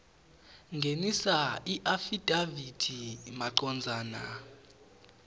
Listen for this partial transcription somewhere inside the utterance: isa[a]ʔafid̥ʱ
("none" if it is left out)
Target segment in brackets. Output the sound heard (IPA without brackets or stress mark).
i